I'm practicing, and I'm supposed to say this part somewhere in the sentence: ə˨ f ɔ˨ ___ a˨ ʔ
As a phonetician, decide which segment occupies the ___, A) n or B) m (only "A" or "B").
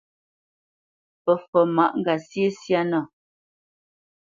B